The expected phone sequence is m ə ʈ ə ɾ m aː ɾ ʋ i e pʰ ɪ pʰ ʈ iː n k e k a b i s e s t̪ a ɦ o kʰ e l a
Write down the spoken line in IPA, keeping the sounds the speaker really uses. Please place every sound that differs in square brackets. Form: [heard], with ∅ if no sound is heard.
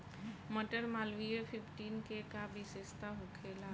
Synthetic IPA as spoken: m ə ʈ ə ɾ m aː [l] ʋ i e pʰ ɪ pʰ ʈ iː n k e k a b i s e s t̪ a ɦ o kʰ e l a